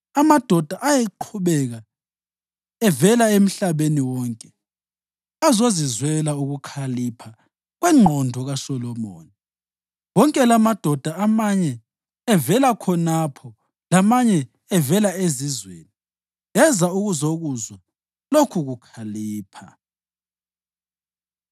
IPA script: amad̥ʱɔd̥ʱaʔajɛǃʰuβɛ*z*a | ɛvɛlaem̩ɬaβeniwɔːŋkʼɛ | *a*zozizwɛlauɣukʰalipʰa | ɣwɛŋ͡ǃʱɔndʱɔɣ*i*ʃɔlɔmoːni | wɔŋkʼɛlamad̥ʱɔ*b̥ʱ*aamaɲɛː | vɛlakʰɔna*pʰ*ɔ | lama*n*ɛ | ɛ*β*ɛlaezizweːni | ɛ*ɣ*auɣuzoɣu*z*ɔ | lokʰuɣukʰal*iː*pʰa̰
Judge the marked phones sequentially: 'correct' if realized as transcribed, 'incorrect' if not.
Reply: incorrect: ɣ, correct, incorrect: a, incorrect: d̥ʱ, correct, incorrect: ɲ, incorrect: v, incorrect: z, correct, correct

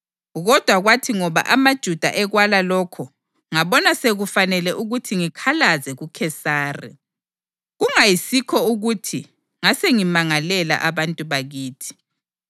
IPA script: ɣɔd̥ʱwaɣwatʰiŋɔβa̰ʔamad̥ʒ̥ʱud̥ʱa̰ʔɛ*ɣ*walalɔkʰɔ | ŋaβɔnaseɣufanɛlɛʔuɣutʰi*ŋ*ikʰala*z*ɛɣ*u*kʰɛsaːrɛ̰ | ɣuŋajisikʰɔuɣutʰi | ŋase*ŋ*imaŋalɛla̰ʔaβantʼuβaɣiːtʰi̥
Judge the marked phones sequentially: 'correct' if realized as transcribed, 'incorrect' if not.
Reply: correct, correct, correct, correct, correct

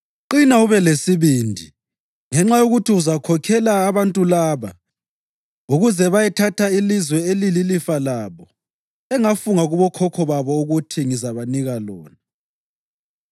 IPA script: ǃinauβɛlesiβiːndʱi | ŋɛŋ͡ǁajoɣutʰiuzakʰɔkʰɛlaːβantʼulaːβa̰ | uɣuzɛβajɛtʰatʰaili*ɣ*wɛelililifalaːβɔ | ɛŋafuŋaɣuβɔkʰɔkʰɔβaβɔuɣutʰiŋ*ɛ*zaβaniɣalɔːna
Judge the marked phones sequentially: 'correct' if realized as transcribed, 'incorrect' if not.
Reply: incorrect: z, incorrect: i

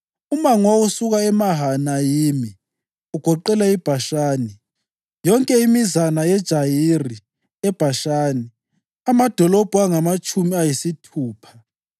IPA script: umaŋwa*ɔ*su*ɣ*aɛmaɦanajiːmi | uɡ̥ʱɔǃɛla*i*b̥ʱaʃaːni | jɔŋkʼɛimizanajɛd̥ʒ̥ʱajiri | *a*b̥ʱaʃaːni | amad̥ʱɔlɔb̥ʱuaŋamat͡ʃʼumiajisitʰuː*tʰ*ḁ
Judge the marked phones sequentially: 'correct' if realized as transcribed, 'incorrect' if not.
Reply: incorrect: u, correct, correct, incorrect: ɛ, incorrect: pʰ

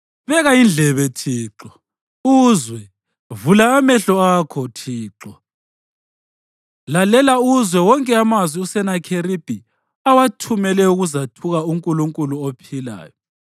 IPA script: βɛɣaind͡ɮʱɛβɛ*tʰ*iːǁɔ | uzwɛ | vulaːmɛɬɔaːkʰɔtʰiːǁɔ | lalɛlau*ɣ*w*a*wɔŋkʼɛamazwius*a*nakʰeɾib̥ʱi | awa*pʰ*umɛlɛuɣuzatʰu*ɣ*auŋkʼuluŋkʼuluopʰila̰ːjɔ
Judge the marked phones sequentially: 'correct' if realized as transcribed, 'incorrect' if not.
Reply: correct, incorrect: z, incorrect: ɛ, incorrect: ɛ, incorrect: tʰ, correct

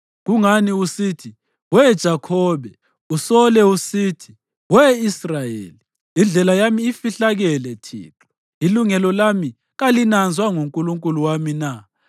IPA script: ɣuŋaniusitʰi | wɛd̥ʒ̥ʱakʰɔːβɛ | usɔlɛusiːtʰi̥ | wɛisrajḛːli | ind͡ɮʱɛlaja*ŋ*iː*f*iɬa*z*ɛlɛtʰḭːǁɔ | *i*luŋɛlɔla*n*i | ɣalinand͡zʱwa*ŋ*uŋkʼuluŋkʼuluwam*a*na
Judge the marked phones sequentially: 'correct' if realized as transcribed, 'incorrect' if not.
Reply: incorrect: m, correct, incorrect: ɣ, correct, incorrect: m, correct, incorrect: i

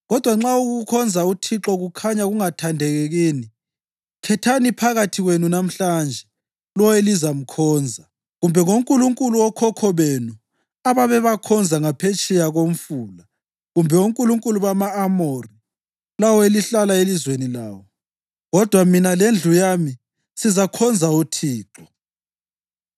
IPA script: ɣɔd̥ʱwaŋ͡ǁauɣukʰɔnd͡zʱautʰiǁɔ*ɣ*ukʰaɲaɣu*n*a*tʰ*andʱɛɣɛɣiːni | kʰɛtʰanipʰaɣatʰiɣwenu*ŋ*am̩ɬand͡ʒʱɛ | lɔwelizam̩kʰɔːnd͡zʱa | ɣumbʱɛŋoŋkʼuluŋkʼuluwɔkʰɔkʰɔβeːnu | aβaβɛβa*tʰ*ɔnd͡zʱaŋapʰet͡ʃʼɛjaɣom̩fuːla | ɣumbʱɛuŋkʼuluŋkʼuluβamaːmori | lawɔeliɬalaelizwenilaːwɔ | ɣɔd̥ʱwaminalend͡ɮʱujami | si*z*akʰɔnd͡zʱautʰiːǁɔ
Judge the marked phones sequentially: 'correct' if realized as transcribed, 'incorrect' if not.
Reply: correct, incorrect: ŋ, correct, incorrect: n, incorrect: kʰ, correct

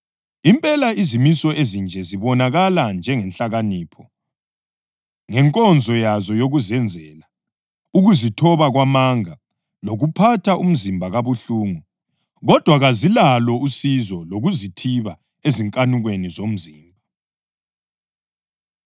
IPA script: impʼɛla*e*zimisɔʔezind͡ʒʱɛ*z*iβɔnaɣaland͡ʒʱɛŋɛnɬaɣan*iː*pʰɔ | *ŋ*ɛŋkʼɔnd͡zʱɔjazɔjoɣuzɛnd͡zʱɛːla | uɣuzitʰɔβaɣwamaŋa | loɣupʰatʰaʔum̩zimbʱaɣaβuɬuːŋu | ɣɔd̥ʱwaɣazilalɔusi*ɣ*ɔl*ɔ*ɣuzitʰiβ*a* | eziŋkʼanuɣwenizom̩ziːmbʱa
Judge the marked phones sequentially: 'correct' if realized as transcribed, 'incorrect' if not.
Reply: incorrect: i, correct, correct, correct, incorrect: z, incorrect: o, correct

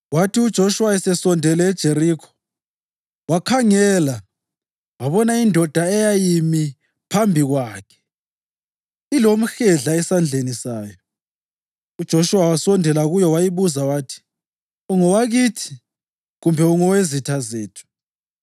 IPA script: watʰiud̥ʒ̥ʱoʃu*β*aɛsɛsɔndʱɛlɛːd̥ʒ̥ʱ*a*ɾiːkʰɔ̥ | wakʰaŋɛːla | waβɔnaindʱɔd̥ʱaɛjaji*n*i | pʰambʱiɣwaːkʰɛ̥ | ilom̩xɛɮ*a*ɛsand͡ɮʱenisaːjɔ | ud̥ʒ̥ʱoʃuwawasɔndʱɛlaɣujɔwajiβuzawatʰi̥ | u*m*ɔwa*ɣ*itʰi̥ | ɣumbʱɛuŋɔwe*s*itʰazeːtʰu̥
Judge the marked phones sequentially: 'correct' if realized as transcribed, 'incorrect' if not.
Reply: incorrect: w, incorrect: e, incorrect: m, correct, incorrect: ŋ, correct, incorrect: z

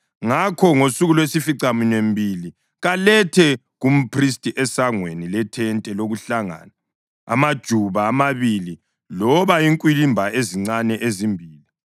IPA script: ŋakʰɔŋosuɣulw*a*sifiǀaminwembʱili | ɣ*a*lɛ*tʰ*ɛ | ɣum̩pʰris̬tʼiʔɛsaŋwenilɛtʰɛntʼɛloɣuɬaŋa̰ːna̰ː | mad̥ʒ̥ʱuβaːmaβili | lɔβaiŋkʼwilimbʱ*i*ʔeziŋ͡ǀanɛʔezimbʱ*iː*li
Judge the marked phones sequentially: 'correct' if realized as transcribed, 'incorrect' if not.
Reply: incorrect: e, correct, correct, incorrect: a, correct

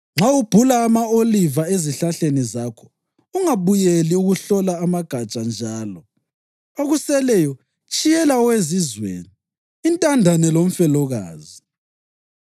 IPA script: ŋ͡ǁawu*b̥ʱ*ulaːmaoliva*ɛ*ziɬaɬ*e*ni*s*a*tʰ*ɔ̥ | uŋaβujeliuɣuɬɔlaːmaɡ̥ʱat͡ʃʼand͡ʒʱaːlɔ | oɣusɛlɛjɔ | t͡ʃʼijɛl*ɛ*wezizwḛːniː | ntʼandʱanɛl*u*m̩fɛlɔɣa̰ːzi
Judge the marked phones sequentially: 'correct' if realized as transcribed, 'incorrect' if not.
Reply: correct, incorrect: e, correct, incorrect: z, incorrect: kʰ, incorrect: a, incorrect: o

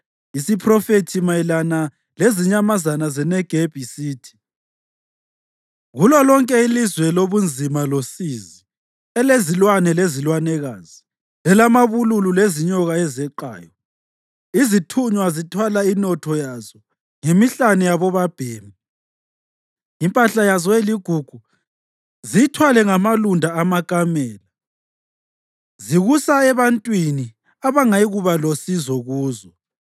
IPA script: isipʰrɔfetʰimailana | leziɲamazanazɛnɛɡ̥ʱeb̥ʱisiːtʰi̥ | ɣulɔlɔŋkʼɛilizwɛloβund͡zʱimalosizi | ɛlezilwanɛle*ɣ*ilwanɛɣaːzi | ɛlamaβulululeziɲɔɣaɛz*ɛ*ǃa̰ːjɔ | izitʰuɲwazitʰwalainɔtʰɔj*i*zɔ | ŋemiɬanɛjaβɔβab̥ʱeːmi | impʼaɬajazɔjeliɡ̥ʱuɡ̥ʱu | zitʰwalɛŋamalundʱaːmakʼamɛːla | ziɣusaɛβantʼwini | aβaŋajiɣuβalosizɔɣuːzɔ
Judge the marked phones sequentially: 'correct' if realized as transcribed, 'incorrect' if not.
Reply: incorrect: z, correct, incorrect: a

